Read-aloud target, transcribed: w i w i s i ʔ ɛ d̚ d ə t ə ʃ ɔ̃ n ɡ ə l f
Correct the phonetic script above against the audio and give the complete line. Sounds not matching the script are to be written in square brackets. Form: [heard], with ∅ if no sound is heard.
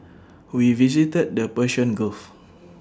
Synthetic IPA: w i [v] i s i [t] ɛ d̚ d ə [p] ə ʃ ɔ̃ n ɡ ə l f